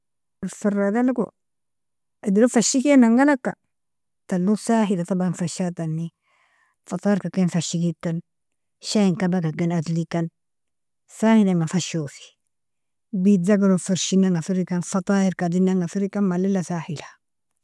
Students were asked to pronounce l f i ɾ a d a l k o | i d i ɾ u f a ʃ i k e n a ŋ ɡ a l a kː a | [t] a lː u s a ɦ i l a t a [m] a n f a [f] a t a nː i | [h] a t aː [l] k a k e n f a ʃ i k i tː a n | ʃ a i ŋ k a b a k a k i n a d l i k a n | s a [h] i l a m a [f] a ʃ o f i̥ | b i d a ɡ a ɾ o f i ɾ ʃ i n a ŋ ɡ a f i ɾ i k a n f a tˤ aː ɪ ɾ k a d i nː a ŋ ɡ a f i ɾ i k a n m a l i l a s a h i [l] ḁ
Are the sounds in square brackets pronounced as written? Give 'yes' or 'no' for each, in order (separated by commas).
yes, no, no, no, no, yes, yes, yes